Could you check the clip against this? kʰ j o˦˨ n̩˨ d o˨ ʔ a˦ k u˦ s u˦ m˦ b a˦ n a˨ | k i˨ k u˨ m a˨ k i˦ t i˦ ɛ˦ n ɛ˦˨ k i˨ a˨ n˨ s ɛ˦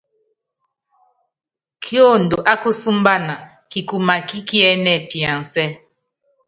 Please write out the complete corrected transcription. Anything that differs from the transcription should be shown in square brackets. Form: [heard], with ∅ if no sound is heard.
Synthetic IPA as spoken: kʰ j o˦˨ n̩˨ d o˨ ʔ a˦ k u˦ s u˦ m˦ b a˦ n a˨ | k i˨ k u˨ m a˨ k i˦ [k] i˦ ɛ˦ n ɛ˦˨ [p] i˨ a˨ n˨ s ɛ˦